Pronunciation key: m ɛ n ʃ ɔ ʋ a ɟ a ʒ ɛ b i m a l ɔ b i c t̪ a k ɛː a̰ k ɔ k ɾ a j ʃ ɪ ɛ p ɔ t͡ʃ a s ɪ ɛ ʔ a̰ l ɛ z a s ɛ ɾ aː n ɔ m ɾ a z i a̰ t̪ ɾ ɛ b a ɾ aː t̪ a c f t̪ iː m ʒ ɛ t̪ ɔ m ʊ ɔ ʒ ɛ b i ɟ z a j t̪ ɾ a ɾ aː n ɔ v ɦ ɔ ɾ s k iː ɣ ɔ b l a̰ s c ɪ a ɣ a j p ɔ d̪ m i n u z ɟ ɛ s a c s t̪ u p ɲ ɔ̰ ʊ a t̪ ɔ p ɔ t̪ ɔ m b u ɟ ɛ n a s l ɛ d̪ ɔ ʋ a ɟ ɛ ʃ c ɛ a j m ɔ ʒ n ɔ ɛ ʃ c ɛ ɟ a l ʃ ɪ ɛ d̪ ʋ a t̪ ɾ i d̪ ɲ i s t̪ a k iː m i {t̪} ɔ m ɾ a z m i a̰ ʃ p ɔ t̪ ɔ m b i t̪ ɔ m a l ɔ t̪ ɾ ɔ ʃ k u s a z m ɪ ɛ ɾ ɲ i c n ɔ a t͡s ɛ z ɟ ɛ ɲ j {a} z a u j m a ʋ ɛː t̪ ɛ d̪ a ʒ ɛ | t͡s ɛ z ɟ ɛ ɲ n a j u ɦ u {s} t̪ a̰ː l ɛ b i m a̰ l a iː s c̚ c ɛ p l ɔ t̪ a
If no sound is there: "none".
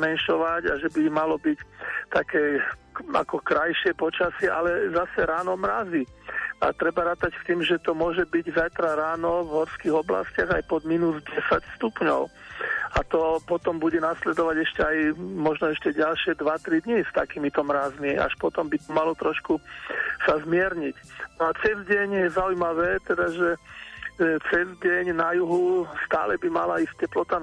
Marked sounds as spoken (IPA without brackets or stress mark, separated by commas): t̪, ɛ, s